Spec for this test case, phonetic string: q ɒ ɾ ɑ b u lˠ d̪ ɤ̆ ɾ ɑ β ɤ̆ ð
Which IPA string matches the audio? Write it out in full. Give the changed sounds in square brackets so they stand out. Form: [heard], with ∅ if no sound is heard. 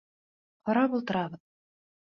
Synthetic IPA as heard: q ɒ ɾ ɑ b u lˠ [t̪] ɤ̆ ɾ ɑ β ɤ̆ ð